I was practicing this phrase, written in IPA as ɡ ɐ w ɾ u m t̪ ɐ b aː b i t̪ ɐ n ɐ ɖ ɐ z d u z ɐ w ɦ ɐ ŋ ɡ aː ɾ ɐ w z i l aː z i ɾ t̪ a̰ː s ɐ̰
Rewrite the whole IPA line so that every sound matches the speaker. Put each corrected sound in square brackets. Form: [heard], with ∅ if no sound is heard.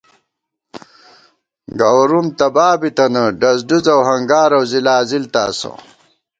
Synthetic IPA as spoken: ɡ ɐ w ɾ u m t̪ ɐ b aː b i t̪ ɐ n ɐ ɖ ɐ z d u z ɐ w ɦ ɐ ŋ ɡ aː ɾ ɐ w z i l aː z i [l] t̪ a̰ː s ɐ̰